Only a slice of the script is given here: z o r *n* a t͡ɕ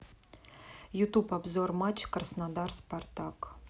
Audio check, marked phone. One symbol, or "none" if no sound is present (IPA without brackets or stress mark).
m